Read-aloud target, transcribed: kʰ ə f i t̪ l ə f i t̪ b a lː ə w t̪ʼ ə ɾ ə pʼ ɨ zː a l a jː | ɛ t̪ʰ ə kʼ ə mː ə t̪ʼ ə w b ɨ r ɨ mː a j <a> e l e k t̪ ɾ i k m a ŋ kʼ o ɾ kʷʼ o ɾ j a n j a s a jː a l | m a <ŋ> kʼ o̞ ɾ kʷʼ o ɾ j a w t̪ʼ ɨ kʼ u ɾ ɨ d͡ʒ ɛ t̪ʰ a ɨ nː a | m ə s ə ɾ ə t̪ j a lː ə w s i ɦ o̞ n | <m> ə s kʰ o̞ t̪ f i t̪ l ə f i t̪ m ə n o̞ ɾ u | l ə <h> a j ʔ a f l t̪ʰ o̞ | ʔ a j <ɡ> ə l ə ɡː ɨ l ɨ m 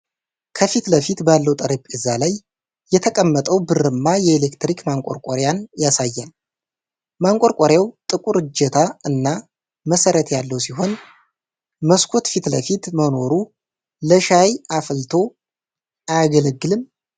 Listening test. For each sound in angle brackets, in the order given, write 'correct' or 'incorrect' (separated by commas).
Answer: incorrect, correct, correct, incorrect, correct